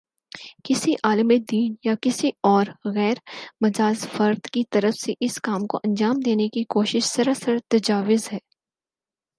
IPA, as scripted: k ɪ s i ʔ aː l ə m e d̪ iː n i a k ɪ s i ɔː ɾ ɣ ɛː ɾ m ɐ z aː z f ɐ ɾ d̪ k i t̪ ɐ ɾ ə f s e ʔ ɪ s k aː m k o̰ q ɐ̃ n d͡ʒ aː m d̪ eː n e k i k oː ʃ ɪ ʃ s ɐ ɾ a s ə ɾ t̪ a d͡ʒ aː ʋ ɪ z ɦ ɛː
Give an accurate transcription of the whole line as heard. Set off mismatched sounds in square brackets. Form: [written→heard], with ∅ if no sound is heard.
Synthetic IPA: k ɪ s i ʔ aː l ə m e d̪ iː n [i→j] a k ɪ s i ɔː ɾ ɣ ɛː ɾ m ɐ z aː z f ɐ ɾ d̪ k i t̪ ɐ ɾ ə f s e ʔ ɪ s k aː m k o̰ [q→ʔ] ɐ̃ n d͡ʒ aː m d̪ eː n e k i k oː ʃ ɪ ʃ s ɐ ɾ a s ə ɾ t̪ [a→ɐ] d͡ʒ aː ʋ ɪ z ɦ ɛː